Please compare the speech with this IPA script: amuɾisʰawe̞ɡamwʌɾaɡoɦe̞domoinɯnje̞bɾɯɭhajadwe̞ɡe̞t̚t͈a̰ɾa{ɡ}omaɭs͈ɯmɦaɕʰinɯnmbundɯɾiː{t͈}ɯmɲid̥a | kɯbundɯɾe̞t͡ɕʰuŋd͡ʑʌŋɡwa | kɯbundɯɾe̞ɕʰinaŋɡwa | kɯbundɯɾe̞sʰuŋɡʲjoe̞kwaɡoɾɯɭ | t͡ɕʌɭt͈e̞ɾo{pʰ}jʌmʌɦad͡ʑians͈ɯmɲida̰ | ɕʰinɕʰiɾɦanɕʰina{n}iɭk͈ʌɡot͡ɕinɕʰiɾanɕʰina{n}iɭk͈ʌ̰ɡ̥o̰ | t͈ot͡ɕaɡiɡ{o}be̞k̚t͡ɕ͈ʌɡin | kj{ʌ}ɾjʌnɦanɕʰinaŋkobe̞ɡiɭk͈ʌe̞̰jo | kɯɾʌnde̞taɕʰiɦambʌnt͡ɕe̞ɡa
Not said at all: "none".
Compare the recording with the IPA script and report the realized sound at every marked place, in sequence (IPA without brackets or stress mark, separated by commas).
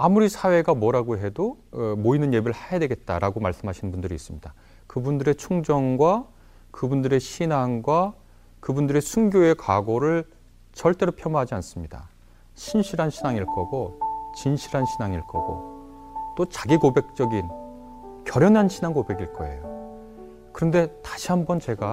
ɡ, s͈, pʰ, ŋ, ŋ, o, ʌ